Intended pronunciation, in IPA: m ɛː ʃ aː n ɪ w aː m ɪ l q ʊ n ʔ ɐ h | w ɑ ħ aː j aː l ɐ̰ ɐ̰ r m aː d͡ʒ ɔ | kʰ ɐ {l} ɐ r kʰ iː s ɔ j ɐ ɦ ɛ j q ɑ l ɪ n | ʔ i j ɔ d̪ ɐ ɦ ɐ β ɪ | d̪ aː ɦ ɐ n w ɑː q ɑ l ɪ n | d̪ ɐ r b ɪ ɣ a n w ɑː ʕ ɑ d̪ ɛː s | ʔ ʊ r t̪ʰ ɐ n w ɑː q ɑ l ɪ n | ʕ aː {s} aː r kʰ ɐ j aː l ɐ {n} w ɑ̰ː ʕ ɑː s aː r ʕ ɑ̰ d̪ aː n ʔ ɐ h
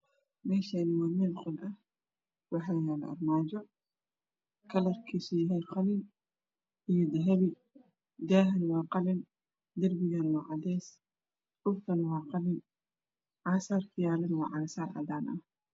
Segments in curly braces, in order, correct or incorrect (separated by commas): correct, correct, correct